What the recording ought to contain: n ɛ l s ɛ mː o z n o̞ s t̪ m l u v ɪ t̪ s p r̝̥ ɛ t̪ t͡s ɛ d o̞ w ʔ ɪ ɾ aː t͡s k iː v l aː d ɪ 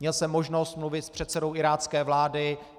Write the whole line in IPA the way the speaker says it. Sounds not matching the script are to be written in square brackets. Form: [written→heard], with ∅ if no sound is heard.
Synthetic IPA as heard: [n→ɲ] ɛ l s ɛ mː o [z→ʒ] n o̞ s t̪ m l u v ɪ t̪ s p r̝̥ ɛ t̪ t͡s ɛ d o̞ w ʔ ɪ ɾ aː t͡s k [iː→ɛː] v l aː d ɪ